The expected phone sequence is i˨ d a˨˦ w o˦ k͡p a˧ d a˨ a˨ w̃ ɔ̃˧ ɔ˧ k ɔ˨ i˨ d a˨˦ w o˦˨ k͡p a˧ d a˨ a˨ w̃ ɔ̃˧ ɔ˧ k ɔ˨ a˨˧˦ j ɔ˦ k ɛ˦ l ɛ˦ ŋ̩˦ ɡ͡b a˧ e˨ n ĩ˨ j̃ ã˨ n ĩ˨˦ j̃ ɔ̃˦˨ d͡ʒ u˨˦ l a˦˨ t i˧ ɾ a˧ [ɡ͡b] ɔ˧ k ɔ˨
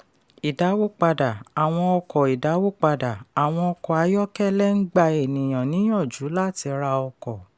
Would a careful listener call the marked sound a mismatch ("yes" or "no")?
yes